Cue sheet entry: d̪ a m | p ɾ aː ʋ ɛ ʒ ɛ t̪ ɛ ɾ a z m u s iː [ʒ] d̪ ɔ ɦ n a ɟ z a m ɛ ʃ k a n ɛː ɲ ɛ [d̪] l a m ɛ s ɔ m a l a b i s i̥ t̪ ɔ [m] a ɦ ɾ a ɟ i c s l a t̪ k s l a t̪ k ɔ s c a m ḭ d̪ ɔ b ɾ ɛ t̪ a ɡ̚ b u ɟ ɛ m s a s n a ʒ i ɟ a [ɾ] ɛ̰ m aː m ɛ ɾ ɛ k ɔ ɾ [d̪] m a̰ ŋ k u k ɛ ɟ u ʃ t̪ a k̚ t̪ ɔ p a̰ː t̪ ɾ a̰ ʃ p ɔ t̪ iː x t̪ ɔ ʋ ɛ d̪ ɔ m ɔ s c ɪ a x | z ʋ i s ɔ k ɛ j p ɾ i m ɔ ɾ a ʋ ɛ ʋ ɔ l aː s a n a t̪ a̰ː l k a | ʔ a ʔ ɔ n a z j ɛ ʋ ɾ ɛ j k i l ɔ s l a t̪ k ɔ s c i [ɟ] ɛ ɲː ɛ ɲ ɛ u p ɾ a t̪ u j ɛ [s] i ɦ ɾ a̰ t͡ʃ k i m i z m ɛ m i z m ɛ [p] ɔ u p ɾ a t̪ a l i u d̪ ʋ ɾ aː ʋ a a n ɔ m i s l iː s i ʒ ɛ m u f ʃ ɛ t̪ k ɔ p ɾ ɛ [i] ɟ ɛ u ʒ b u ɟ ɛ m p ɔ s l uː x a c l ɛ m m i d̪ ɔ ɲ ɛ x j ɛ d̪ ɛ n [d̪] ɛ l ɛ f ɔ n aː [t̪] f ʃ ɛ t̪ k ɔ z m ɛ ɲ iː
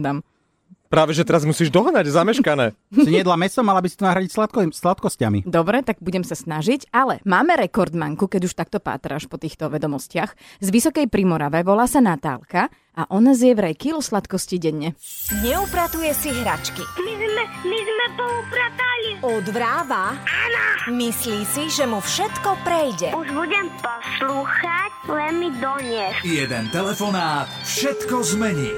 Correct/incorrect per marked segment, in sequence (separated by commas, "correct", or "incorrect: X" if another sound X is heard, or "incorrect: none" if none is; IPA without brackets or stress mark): correct, correct, incorrect: n, incorrect: l, correct, correct, correct, correct, incorrect: j, incorrect: t̪, correct